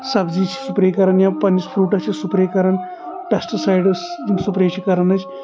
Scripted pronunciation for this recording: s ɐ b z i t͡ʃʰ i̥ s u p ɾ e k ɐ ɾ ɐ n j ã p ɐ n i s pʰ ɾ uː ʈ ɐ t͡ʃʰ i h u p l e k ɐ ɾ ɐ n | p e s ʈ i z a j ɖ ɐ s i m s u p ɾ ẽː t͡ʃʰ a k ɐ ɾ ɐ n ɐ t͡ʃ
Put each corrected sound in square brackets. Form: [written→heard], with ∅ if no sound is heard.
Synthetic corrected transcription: s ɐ b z i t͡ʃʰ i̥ s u p ɾ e k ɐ ɾ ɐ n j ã p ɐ n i s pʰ ɾ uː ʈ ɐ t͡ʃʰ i [h→s] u p [l→ɾ] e k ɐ ɾ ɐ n | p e s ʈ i [z→s] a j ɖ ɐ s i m s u p ɾ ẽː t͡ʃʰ [a→i] k ɐ ɾ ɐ n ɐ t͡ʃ